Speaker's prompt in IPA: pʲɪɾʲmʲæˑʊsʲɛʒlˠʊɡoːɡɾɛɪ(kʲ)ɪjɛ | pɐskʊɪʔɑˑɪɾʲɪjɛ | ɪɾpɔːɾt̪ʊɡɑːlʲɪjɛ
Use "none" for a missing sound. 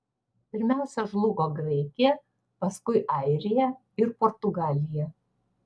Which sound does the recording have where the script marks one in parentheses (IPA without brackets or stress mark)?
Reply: kʲ